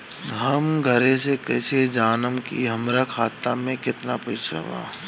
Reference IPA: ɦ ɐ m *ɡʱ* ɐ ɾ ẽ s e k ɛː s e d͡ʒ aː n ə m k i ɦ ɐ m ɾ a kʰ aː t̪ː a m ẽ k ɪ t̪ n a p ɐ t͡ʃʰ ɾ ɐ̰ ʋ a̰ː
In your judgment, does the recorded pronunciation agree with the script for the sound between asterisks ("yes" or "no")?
yes